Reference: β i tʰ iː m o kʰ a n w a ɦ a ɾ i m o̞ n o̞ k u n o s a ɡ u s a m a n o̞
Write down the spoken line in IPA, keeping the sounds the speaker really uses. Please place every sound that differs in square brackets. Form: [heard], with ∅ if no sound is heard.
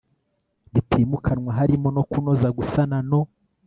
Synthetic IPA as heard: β i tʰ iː m [u] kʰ a n w a ɦ a ɾ i m o̞ n o̞ k u n o [z] a ɡ u s a [n] a n o̞